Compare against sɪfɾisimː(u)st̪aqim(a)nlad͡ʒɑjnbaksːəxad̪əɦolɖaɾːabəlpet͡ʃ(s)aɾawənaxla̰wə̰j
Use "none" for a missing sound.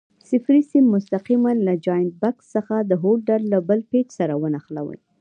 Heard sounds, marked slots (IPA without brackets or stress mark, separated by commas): ʊ, a, s